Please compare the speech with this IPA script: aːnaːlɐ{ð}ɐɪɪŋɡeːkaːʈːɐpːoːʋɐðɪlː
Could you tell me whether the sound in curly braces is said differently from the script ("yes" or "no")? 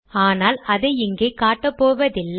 no